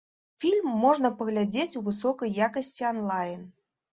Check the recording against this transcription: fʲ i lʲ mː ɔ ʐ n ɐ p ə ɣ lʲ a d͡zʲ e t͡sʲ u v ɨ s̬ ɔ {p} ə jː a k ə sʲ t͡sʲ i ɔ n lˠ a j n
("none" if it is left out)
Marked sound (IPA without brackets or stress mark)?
k